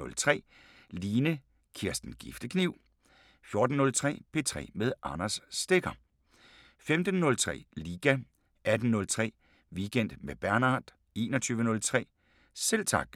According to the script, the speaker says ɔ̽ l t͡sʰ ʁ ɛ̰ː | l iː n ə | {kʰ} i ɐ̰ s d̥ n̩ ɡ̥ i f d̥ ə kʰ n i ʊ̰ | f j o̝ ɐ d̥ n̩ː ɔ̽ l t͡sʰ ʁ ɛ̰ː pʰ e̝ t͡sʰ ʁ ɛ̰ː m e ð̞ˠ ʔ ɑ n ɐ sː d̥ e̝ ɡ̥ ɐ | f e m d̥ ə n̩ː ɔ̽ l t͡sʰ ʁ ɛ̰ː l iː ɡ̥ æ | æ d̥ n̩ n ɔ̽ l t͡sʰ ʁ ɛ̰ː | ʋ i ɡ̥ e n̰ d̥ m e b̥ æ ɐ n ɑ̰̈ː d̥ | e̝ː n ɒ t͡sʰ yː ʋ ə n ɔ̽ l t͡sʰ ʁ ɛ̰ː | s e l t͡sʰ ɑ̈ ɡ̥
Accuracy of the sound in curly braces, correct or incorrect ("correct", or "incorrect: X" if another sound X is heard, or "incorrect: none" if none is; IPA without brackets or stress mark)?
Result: correct